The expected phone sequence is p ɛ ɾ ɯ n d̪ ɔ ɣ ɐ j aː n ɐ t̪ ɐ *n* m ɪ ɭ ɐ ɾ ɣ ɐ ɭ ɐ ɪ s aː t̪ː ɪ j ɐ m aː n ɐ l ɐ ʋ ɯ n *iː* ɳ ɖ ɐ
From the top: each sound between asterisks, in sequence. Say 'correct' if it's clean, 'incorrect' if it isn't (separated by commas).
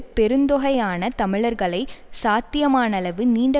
incorrect, correct